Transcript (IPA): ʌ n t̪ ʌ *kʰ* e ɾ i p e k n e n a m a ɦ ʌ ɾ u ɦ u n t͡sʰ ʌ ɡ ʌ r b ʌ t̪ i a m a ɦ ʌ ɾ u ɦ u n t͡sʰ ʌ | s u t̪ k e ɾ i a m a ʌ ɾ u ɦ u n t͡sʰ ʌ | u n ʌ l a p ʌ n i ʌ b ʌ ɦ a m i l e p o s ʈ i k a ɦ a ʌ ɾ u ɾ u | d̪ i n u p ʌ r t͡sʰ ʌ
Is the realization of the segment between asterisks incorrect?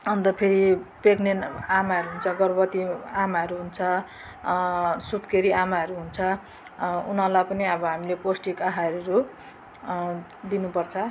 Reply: yes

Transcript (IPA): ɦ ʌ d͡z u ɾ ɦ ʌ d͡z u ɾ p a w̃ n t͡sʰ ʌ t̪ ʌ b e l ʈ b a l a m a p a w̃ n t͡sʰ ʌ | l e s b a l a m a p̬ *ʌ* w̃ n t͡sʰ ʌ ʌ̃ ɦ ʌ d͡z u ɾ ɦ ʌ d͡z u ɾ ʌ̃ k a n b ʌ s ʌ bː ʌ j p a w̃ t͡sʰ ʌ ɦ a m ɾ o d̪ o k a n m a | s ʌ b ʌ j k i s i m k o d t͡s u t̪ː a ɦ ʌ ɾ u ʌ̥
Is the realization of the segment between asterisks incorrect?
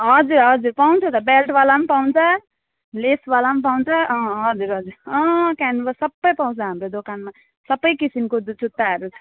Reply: yes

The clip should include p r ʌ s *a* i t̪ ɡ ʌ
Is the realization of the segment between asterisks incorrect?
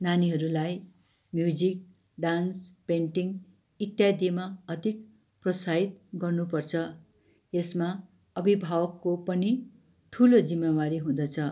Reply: no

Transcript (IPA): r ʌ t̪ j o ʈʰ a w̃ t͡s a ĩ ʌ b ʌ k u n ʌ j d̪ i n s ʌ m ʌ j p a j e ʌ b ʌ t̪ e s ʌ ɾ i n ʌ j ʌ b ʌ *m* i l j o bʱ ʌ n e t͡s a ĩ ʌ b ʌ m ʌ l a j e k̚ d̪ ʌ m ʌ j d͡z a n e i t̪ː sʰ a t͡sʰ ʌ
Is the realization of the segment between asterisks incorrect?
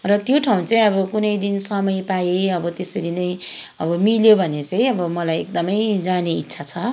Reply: no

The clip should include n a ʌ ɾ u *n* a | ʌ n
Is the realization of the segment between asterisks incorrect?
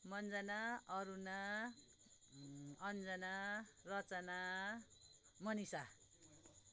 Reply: no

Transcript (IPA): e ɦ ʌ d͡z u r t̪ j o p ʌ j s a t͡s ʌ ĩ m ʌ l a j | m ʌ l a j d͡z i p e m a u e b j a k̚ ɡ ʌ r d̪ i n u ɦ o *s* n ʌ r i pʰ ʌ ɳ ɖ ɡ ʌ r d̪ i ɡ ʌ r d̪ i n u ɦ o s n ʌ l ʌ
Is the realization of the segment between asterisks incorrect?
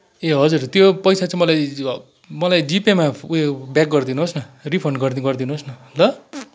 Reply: no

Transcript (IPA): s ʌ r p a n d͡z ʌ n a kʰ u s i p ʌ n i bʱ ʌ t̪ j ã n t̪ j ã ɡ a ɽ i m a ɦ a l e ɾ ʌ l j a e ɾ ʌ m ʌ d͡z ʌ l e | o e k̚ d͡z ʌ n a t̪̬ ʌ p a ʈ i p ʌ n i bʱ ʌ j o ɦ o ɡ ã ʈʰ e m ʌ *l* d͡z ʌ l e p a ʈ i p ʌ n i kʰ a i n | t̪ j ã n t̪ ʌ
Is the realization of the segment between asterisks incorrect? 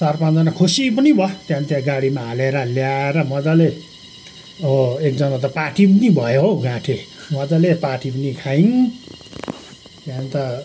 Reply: yes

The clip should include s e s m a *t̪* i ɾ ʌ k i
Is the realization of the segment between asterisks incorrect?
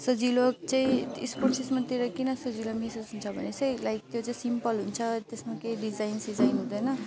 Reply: no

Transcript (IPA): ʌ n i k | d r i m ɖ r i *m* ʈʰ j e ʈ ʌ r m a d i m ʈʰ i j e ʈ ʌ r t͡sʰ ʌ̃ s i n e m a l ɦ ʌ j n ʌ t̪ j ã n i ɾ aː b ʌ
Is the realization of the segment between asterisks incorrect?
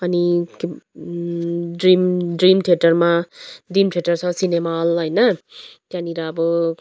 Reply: no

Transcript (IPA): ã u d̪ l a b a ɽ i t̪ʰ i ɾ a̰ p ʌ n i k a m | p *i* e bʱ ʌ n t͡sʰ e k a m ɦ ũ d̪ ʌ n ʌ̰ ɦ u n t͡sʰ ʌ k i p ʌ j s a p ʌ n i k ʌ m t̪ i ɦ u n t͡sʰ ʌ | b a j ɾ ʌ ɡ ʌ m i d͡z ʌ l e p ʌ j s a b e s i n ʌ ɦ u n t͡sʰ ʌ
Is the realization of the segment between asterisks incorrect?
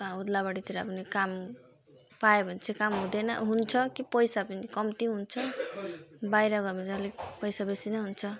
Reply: yes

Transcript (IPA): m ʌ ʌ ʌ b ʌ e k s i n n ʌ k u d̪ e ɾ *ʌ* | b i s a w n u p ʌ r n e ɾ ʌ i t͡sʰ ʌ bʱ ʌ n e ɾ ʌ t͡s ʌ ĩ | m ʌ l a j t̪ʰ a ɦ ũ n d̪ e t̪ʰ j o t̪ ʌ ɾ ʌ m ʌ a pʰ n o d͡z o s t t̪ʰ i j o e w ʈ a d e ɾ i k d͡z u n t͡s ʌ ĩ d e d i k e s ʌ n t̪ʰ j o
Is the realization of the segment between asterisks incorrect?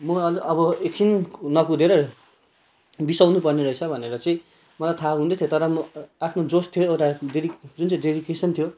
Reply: no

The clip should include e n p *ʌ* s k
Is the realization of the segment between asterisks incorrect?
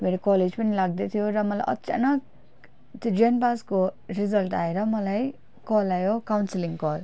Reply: yes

